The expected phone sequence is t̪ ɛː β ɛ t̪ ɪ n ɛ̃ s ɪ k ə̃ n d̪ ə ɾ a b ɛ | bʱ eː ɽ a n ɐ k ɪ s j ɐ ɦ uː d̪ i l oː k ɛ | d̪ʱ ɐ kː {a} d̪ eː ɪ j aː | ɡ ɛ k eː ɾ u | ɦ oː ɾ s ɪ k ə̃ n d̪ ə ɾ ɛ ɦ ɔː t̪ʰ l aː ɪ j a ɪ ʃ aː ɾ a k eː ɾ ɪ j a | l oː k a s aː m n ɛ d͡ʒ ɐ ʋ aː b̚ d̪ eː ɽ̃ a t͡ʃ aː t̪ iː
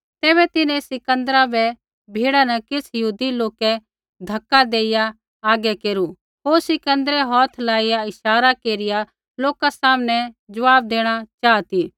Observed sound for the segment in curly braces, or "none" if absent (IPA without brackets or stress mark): a